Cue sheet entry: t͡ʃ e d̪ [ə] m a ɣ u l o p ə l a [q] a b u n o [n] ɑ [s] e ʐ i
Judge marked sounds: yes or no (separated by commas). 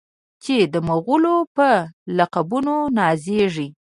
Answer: yes, yes, yes, no